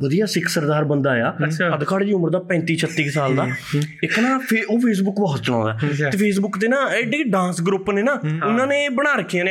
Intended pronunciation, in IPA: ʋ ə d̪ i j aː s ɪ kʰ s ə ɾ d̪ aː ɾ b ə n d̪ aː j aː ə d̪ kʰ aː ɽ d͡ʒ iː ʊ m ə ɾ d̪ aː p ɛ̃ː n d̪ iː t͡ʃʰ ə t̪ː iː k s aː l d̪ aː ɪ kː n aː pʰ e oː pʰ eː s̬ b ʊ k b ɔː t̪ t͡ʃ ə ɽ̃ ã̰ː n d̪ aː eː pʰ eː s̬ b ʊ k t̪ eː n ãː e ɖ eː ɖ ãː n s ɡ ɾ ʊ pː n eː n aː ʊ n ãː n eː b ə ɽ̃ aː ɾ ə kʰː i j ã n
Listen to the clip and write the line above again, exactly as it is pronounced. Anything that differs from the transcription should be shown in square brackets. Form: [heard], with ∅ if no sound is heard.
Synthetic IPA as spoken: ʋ ə d̪ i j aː s ɪ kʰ s ə ɾ d̪ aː ɾ b ə n d̪ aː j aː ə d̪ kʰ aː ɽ d͡ʒ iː ʊ m ə ɾ d̪ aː p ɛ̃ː n [t̪] iː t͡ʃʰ ə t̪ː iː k s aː l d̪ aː ɪ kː n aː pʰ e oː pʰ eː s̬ b ʊ k b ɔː t̪ t͡ʃ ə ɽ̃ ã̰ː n d̪ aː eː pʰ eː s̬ b ʊ k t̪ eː n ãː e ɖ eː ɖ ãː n s ɡ ɾ ʊ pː n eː n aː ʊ n ãː n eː b ə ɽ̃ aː ɾ ə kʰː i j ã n